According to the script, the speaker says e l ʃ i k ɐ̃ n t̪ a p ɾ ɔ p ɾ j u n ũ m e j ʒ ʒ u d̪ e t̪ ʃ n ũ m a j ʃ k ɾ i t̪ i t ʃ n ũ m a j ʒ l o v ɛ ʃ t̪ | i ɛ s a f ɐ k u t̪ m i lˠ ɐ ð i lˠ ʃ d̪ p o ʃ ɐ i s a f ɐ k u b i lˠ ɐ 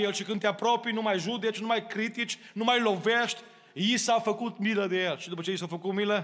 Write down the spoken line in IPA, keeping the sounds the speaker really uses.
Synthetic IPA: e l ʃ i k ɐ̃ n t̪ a p ɾ ɔ p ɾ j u n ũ m a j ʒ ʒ u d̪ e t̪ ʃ n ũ m a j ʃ k ɾ i t̪ i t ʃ n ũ m a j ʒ l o v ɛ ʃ t̪ | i i s a f ɐ k u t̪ m i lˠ ɐ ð e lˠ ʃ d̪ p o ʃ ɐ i s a f ɐ k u m i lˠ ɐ